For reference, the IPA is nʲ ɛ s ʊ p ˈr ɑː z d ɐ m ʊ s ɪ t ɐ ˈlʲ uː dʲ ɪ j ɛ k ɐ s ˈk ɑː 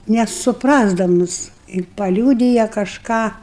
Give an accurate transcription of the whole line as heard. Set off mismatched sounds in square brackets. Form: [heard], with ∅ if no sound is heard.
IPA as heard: nʲ ɛ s ʊ p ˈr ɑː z d ɐ m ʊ s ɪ [p] ɐ ˈlʲ uː dʲ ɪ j ɛ k ɐ [ʃ] ˈk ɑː